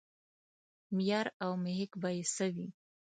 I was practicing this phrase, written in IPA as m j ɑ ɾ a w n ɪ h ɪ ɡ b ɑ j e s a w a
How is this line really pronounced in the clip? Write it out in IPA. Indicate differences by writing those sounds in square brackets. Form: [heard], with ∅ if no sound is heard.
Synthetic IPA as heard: m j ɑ ɾ a w [m] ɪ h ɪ [k] b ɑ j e s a w [i]